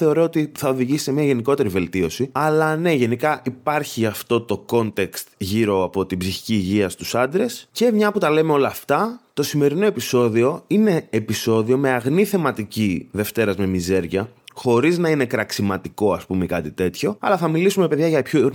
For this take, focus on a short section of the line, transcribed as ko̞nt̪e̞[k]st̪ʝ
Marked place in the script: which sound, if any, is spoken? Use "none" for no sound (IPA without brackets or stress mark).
k